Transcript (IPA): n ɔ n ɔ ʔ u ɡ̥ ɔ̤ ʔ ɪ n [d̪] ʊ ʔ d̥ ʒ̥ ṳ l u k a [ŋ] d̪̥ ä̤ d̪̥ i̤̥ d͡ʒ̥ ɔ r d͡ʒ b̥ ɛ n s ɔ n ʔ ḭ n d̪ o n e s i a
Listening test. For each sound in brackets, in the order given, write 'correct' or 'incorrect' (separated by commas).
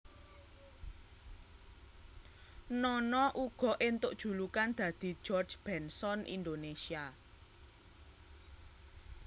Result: incorrect, incorrect